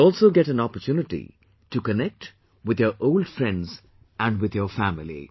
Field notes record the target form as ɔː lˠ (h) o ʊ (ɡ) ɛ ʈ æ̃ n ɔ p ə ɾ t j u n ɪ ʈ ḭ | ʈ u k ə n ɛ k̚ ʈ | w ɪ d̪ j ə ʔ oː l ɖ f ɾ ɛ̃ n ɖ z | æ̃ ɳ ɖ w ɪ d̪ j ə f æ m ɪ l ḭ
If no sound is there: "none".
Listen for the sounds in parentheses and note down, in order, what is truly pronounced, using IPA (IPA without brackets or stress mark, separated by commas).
s, ɡ